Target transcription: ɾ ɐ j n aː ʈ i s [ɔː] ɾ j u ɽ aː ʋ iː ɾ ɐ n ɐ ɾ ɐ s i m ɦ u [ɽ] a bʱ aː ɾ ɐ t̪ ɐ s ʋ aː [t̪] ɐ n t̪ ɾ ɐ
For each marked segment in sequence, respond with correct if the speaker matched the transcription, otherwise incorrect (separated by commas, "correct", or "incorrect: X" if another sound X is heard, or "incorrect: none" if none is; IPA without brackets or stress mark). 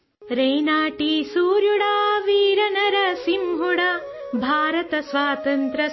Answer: incorrect: uː, correct, correct